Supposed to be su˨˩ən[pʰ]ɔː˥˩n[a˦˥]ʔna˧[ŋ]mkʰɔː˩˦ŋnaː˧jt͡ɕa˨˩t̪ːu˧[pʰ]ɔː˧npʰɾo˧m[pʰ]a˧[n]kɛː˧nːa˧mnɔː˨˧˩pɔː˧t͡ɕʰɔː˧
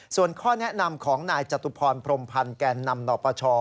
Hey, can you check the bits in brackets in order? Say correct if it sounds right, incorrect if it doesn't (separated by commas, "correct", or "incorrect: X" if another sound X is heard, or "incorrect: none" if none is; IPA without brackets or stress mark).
incorrect: kʰ, incorrect: ɛ˦˥, incorrect: none, correct, correct, correct